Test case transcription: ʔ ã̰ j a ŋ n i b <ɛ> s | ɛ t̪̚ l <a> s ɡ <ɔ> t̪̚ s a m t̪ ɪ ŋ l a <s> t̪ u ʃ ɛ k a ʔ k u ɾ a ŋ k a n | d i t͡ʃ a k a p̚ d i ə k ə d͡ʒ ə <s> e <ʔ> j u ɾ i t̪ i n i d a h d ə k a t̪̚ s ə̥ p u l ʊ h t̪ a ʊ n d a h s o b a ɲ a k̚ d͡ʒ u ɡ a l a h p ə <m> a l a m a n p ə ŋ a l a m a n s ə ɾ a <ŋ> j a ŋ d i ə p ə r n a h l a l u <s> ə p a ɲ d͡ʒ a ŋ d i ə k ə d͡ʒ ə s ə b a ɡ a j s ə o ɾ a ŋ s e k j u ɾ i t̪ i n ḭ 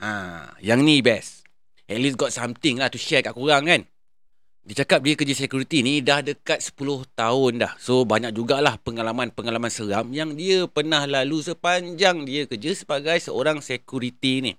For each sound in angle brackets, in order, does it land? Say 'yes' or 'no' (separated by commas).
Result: yes, no, yes, no, yes, no, no, no, yes